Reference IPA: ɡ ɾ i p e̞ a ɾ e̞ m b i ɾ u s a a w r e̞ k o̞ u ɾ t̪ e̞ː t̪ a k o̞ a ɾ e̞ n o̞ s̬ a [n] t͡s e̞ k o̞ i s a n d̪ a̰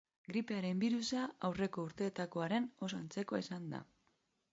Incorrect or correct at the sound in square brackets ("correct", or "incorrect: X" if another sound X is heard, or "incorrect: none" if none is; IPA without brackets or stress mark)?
correct